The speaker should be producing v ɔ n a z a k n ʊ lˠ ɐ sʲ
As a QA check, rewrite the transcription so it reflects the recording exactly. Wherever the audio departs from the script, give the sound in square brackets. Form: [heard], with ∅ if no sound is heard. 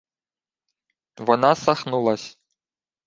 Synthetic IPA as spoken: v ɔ n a [s] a [x] n [u] lˠ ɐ sʲ